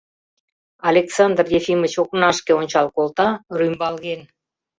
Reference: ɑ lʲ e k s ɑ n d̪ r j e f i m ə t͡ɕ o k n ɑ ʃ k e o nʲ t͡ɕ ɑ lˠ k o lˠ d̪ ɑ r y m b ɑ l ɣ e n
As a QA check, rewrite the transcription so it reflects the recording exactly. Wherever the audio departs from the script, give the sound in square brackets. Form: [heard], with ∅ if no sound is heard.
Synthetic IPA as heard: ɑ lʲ e k s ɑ n d̪ r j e f i m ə t͡ɕ o k n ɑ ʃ k e o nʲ t͡ɕ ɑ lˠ k o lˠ [t̪] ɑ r y m b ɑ l ɣ e n